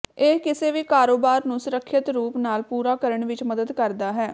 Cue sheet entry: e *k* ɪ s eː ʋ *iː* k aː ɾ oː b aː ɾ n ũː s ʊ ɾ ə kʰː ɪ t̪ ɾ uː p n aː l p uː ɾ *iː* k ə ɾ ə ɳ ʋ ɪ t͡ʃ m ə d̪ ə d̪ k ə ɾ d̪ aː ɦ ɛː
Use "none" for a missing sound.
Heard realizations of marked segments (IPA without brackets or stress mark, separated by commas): k, iː, aː